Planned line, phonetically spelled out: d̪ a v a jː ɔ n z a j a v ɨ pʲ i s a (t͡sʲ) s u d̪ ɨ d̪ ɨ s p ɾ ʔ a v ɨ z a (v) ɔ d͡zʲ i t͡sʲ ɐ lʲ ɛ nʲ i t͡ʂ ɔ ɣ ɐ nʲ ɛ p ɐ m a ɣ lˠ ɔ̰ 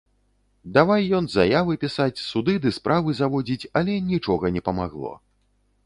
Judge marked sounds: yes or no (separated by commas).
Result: yes, yes